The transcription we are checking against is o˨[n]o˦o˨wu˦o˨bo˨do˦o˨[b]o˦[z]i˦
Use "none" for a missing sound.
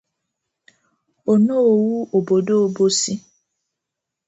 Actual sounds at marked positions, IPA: n, b, s

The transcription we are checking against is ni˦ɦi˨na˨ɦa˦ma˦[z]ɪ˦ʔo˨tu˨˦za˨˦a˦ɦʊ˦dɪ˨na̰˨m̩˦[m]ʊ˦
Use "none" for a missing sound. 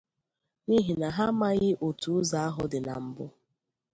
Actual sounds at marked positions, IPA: ɣ, b

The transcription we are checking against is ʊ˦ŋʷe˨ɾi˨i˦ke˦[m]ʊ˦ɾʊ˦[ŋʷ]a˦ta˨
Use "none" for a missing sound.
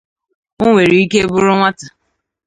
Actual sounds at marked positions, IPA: b, ŋʷ

